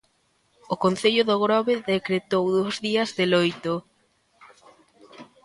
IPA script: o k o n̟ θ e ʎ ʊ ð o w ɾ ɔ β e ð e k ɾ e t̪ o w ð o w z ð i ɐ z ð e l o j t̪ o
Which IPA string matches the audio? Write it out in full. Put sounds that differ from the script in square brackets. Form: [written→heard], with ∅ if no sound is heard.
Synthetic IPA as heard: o k o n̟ θ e ʎ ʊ ð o [w→ɣ] ɾ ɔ β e ð e k ɾ e t̪ o w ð o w z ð i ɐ z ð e l o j t̪ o